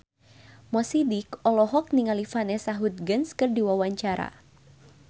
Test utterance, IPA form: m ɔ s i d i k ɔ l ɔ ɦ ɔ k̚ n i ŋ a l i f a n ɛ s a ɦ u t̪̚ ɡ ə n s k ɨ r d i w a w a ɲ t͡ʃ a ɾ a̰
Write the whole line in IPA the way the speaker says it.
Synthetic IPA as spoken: m ɔ s i d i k ɔ l ɔ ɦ ɔ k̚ n i ŋ a l i f a n ɛ s a ɦ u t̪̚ ɡ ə n s k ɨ r d i w a w a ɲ t͡ʃ a ɾ a̰